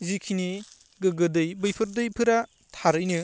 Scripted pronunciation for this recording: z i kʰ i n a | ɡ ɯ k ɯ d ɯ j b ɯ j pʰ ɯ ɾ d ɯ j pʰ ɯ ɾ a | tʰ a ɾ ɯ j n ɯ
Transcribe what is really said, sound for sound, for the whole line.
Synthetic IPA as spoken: z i kʰ i n i | ɡ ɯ ɡ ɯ d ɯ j b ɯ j pʰ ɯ ɾ d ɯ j pʰ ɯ ɾ a | tʰ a ɾ ɯ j n ɯ